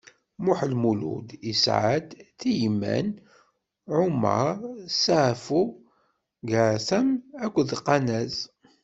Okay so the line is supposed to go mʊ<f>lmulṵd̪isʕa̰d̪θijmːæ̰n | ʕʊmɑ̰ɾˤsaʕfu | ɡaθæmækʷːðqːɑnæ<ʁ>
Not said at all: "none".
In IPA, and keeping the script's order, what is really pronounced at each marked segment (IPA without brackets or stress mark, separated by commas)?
ħ, z